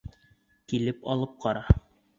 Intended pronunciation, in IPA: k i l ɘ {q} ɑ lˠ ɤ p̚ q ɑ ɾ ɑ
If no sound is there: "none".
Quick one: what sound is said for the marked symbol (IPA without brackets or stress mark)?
p